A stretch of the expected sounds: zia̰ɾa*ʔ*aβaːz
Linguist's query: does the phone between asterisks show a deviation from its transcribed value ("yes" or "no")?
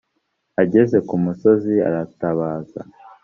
yes